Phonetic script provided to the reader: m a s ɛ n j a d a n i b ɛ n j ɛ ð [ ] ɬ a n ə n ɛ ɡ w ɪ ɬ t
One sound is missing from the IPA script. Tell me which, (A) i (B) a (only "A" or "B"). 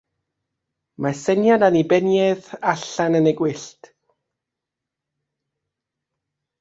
B